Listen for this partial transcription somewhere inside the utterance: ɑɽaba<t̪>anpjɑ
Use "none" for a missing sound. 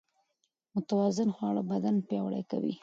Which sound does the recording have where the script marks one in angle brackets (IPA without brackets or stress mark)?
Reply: d̪